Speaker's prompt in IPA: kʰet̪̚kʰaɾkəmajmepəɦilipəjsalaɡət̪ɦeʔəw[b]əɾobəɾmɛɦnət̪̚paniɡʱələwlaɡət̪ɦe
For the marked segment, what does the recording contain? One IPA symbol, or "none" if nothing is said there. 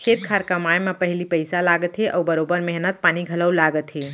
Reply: b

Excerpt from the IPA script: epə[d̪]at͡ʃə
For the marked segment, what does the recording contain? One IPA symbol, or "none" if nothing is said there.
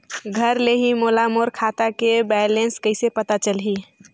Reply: t̪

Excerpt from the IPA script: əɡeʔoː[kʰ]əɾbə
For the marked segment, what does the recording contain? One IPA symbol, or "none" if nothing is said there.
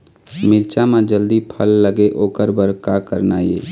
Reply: k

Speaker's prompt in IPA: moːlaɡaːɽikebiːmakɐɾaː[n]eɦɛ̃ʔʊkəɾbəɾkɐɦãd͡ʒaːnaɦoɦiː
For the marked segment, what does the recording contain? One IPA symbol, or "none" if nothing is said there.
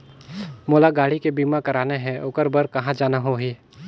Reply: n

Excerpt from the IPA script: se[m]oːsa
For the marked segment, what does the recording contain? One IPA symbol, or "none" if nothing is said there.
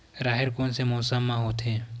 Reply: m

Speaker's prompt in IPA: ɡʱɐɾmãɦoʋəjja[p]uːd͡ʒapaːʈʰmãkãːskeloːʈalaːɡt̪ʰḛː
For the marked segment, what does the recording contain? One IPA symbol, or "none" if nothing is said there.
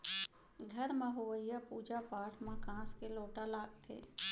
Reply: p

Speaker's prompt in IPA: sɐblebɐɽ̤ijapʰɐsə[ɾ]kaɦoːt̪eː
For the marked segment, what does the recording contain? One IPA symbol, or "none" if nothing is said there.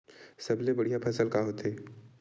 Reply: l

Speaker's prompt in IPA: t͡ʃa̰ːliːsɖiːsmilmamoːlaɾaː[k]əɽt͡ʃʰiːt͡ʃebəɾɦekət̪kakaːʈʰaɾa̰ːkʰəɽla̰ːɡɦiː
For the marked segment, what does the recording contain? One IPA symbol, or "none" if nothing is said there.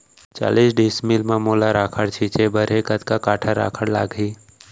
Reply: kʰ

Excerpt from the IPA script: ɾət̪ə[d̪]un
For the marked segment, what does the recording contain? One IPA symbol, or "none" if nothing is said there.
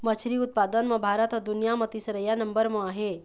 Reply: d̪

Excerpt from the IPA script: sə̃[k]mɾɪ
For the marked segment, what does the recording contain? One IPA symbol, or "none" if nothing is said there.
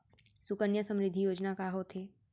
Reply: none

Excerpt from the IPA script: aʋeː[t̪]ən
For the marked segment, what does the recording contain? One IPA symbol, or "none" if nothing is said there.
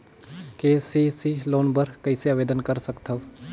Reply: d̪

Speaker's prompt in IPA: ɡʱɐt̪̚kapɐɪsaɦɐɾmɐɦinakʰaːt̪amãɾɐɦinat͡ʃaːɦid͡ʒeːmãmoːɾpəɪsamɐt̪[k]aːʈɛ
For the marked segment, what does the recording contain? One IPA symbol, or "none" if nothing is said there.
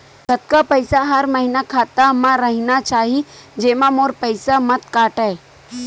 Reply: k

